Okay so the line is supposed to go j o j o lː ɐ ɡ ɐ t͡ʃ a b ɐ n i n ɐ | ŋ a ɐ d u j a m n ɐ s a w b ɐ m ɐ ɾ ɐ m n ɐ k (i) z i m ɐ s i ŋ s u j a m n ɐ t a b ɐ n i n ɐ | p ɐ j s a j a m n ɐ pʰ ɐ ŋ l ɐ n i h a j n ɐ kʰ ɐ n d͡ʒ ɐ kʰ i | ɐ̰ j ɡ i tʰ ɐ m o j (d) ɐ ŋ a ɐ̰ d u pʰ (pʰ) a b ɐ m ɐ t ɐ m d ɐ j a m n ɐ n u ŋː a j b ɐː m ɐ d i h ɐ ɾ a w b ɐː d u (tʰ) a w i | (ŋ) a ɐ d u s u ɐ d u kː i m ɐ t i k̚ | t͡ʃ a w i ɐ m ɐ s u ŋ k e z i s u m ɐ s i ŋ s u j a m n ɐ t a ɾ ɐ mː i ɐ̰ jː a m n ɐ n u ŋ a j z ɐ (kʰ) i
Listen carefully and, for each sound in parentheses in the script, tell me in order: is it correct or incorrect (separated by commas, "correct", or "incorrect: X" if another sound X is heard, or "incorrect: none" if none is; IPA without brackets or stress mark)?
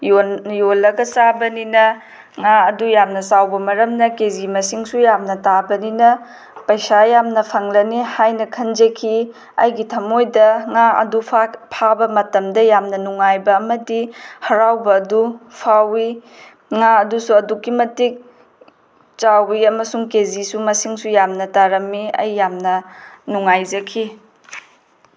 incorrect: e, correct, correct, incorrect: pʰ, correct, correct